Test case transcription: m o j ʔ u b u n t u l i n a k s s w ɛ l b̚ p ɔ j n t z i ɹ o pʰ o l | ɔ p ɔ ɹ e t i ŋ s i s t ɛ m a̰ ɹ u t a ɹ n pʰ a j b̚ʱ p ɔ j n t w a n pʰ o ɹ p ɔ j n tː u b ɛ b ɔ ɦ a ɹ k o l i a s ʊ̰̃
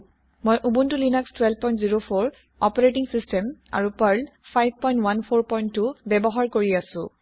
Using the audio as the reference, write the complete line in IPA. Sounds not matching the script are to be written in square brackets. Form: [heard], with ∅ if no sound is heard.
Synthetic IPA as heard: m o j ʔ u b u n t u l i n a k s [t] w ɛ l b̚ p ɔ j n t z i ɹ o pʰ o [ɹ] | ɔ p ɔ ɹ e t i ŋ s i s t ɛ m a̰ ɹ u [p] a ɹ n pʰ a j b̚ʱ p ɔ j n t w a n pʰ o ɹ p ɔ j n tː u b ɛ b ɔ ɦ a ɹ k o [ɹ] i a s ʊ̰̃